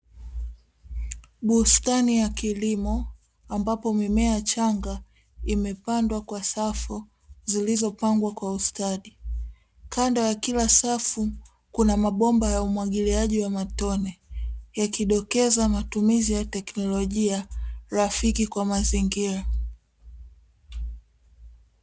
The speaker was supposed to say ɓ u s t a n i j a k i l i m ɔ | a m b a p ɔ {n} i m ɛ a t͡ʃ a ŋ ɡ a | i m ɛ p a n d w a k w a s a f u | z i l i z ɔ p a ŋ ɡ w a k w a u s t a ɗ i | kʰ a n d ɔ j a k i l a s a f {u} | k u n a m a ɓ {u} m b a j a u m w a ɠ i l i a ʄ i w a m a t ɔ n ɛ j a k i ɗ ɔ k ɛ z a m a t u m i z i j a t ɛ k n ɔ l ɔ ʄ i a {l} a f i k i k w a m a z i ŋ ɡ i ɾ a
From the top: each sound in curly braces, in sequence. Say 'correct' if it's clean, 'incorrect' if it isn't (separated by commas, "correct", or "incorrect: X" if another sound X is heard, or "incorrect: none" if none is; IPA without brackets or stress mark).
incorrect: m, correct, incorrect: ɔ, incorrect: ɾ